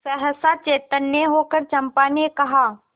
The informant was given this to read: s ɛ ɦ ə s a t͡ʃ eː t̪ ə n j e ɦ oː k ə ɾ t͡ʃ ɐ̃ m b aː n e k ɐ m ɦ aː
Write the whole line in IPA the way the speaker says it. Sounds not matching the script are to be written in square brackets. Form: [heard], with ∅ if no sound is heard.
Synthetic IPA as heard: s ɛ ɦ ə s a t͡ʃ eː t̪ ə n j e ɦ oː k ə ɾ t͡ʃ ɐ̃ m [p] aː n e k ɐ [∅] ɦ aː